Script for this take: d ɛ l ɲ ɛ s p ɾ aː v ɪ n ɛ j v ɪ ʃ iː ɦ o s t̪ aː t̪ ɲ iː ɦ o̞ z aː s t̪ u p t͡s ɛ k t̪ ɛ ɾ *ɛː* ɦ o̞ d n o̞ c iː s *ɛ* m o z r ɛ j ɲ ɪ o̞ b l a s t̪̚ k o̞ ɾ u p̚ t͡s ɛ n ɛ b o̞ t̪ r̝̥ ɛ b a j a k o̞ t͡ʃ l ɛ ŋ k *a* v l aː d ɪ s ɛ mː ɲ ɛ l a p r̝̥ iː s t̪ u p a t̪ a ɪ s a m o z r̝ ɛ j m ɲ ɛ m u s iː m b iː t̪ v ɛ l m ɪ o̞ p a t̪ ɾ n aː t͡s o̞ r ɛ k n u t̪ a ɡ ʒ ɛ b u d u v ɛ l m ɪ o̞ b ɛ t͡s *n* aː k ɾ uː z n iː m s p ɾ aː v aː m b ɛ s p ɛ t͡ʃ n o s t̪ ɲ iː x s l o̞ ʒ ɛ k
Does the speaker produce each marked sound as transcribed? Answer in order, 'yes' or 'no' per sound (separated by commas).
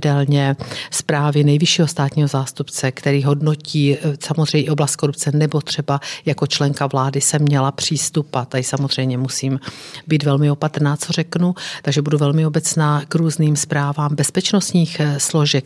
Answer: no, no, yes, yes